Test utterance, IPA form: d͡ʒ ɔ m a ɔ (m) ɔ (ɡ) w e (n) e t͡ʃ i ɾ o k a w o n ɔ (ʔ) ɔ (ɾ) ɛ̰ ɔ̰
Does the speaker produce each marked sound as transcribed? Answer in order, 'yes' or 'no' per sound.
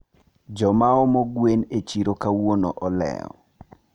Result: yes, yes, yes, yes, no

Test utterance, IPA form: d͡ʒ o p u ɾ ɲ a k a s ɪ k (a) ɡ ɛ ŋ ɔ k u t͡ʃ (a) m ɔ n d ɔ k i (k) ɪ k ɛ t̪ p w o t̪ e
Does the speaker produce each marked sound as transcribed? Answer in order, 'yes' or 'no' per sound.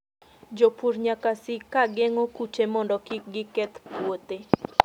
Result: yes, no, no

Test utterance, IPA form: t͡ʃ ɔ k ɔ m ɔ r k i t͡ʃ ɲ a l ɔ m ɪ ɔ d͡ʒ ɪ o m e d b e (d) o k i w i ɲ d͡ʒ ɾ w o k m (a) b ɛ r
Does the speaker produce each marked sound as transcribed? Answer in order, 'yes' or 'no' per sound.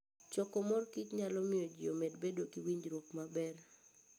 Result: yes, yes

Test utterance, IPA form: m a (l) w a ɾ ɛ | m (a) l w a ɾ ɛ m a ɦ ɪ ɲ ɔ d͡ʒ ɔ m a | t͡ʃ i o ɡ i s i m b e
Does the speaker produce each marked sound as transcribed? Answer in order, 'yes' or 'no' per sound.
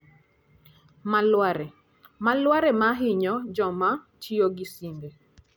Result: yes, yes

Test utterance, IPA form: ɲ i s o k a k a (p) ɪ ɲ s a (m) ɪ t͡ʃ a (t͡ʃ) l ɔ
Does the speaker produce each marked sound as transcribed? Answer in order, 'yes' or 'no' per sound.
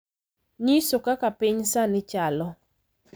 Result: yes, no, no

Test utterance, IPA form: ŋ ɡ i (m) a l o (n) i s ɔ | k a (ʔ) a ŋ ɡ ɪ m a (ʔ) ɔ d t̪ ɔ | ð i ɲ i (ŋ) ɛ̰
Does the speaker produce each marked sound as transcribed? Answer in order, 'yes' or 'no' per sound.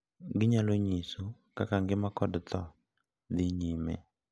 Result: no, no, no, no, no

